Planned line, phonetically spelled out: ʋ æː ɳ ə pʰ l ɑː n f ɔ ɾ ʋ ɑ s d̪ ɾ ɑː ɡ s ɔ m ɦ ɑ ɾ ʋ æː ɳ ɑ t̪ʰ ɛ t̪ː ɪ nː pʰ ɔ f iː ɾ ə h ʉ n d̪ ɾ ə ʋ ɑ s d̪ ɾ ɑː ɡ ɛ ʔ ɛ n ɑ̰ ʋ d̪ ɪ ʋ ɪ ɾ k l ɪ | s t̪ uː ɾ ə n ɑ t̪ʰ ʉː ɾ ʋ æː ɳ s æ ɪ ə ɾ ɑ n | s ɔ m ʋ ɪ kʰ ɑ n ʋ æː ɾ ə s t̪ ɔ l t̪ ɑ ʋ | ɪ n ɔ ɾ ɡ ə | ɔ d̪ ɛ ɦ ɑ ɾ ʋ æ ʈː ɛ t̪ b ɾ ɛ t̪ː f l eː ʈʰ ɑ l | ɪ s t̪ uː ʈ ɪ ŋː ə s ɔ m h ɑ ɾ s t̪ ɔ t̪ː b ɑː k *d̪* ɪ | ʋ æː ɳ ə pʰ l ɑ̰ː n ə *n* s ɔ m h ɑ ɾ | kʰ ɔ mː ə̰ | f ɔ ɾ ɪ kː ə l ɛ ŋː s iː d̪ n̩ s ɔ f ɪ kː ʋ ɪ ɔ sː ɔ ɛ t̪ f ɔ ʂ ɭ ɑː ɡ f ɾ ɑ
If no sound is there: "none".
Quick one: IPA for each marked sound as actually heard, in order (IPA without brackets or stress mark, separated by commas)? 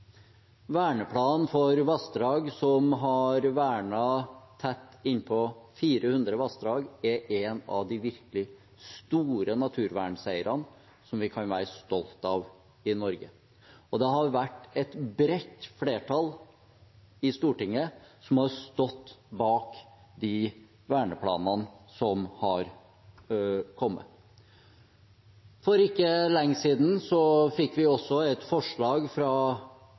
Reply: d̪, n